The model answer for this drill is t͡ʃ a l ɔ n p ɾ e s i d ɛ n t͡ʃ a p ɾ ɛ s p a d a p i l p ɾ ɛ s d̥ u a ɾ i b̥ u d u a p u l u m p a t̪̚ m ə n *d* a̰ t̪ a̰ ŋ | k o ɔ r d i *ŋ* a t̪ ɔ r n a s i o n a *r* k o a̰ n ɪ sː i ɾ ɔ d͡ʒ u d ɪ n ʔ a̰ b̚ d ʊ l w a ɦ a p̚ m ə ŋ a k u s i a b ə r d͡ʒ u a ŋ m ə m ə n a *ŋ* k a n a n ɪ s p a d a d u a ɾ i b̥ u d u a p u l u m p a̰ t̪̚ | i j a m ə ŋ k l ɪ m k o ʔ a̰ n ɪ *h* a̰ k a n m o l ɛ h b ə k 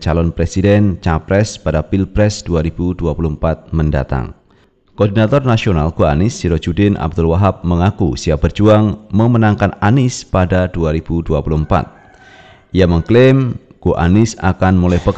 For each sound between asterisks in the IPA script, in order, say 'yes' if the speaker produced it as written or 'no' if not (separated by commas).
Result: yes, no, no, yes, no